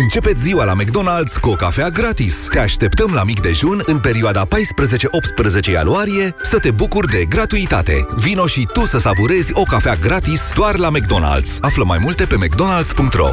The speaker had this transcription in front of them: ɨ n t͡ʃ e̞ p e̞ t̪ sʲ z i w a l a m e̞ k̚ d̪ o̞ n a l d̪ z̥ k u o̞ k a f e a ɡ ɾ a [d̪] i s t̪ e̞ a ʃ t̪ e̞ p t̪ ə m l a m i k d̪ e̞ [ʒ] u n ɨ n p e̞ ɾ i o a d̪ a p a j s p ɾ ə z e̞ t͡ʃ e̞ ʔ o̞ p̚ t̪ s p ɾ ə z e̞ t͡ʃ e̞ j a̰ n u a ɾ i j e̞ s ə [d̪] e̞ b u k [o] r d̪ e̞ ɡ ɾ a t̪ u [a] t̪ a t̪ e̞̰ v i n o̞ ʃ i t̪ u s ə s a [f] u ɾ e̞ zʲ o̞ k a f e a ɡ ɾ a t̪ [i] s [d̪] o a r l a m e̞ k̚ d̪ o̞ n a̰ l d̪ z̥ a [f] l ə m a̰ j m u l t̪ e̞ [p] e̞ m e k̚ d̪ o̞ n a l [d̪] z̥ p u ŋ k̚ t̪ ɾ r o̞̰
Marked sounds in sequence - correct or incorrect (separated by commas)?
incorrect, correct, incorrect, incorrect, incorrect, incorrect, correct, correct, correct, correct, correct